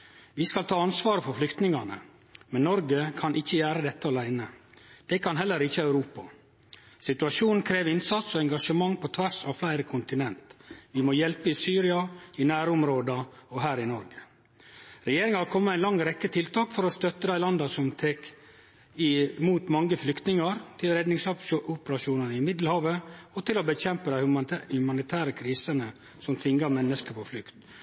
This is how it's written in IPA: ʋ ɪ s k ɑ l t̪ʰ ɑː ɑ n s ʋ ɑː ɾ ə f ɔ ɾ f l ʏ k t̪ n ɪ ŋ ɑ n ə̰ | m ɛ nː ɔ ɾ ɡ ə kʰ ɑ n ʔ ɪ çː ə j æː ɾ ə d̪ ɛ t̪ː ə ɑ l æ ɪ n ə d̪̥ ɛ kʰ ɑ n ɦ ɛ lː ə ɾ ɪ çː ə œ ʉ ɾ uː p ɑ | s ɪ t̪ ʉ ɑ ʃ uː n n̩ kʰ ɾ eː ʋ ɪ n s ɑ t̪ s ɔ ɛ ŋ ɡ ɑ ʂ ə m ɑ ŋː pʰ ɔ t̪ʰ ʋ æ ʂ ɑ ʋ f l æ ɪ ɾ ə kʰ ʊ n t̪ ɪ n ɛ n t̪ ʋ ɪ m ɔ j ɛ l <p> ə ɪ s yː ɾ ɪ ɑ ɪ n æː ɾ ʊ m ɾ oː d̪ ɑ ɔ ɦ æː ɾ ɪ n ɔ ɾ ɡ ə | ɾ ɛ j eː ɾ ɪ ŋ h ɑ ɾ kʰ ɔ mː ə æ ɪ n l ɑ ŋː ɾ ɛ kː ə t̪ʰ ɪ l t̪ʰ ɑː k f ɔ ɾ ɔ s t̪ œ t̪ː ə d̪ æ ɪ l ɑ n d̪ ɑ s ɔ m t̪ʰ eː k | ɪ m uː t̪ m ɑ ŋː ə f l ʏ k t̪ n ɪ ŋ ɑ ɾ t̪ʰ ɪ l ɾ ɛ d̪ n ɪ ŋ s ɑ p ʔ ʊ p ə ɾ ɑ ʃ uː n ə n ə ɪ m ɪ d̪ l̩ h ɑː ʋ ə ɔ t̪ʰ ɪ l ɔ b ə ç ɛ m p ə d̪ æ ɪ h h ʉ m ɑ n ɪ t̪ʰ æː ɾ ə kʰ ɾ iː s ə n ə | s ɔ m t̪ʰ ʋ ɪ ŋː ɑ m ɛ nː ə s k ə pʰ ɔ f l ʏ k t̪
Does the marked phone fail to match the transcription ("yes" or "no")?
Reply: no